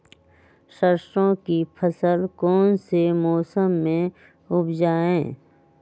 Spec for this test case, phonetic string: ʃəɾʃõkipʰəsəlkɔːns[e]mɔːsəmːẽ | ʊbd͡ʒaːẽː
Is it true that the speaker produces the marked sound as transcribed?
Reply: yes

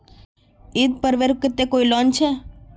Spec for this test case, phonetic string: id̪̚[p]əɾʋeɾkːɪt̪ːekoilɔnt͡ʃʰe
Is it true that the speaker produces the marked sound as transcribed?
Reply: yes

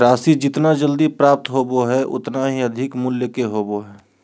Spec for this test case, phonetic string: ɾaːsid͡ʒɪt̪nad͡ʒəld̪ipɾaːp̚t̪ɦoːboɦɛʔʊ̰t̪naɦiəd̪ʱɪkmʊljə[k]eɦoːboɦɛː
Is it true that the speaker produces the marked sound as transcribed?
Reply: yes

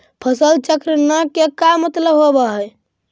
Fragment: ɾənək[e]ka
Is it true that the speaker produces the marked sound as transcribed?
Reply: yes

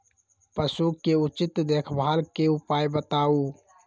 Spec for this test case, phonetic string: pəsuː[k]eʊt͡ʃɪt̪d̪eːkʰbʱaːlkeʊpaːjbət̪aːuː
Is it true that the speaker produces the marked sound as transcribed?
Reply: yes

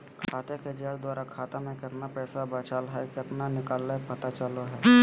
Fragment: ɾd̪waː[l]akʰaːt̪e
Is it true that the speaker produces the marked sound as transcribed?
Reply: no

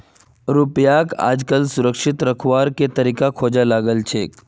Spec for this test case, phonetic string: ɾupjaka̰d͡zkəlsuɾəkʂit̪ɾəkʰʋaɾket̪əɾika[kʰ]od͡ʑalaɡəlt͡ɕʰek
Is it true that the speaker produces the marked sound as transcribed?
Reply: yes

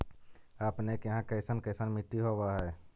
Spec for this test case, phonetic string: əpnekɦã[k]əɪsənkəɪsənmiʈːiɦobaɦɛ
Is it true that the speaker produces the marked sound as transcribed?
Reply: yes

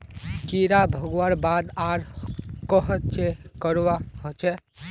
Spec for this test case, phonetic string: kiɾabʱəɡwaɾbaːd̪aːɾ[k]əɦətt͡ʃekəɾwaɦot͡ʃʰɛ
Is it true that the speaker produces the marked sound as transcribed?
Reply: yes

